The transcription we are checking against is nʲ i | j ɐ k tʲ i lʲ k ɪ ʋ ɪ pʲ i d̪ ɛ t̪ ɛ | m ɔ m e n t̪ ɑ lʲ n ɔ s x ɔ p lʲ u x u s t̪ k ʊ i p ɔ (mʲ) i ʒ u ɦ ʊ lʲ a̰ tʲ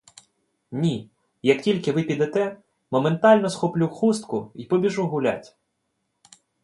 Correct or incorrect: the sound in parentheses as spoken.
incorrect: bʲ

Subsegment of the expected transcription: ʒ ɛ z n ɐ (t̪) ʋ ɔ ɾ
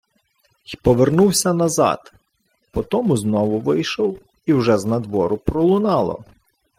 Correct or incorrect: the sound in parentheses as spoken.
incorrect: d̪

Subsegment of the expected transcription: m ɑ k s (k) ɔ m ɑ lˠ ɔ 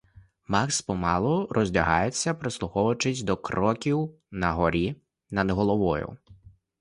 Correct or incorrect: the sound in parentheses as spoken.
incorrect: p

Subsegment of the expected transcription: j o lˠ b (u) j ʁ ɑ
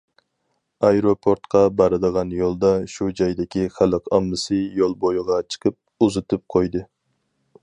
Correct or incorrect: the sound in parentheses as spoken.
incorrect: o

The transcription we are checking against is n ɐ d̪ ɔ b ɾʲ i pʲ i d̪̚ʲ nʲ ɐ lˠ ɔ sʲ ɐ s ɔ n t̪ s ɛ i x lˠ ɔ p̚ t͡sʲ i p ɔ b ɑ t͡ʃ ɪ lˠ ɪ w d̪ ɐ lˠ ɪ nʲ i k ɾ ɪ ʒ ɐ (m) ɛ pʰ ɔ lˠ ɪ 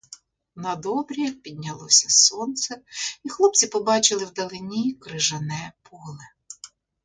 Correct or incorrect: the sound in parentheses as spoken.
incorrect: n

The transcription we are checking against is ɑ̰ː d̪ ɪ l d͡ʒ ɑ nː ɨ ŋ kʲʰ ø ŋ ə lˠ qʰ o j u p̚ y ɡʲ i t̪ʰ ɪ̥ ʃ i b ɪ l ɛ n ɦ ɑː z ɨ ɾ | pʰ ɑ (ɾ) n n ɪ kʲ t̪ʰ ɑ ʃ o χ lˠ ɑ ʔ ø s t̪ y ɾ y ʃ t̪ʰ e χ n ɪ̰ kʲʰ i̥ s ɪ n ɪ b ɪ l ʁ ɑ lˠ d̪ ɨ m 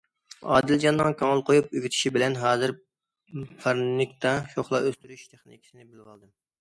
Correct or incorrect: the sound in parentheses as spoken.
correct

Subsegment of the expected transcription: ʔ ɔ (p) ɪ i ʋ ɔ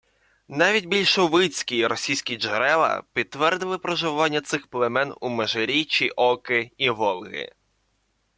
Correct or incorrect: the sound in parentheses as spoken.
incorrect: k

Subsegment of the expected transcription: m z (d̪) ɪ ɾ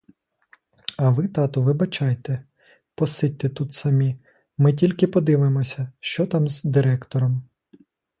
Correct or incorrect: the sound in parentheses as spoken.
correct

